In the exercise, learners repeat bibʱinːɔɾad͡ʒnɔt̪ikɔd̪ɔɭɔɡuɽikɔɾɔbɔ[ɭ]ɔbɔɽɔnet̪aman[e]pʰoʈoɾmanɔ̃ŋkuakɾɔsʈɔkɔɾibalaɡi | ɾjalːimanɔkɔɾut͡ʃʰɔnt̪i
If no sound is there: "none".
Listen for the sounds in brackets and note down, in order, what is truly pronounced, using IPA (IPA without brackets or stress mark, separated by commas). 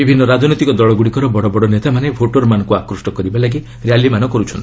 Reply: ɽ, e